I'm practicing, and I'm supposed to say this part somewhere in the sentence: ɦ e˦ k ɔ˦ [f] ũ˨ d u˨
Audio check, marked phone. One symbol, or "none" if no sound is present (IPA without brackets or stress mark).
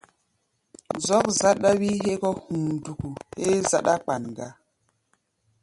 h